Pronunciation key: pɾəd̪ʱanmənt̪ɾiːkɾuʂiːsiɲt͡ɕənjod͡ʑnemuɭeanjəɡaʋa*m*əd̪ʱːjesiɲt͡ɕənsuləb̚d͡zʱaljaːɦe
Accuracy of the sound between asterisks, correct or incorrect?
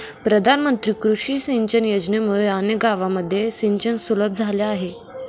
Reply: correct